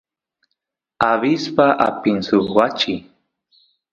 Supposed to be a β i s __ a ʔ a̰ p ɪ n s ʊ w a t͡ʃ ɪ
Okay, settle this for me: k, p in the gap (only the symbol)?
p